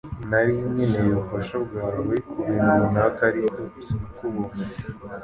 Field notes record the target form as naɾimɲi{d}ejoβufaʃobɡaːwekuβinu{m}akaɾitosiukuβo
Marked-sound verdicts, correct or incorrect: incorrect, incorrect

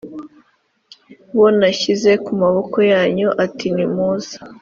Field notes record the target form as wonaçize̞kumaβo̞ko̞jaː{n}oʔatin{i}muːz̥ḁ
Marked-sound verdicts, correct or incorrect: incorrect, correct

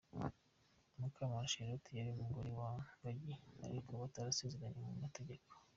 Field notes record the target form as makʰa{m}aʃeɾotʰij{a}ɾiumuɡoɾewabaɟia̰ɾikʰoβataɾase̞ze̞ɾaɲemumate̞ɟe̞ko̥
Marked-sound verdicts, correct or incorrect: correct, correct

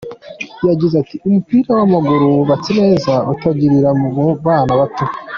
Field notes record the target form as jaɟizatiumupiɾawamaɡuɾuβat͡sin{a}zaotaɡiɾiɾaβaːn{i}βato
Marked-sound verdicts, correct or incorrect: incorrect, incorrect

